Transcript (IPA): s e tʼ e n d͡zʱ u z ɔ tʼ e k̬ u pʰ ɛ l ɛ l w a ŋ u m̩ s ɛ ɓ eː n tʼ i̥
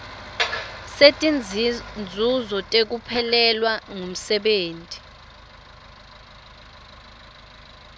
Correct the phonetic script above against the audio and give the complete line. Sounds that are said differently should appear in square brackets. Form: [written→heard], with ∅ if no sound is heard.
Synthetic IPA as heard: s e tʼ [e→i] n d͡zʱ u z ɔ tʼ e k̬ u pʰ ɛ l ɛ l w a ŋ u m̩ s ɛ ɓ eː n tʼ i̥